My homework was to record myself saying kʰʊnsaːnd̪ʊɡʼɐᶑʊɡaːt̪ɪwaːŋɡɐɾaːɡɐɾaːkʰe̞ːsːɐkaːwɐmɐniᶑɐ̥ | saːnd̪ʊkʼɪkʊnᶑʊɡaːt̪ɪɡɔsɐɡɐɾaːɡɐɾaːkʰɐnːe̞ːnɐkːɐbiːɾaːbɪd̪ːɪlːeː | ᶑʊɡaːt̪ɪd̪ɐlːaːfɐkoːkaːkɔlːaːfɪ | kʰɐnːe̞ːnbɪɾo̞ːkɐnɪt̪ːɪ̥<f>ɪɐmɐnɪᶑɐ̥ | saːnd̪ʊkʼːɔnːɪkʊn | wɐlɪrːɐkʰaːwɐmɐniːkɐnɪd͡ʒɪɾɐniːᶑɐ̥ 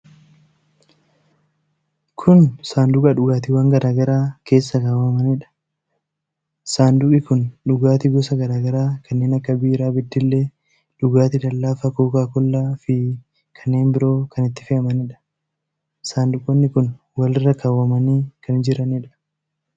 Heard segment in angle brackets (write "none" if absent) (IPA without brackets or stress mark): f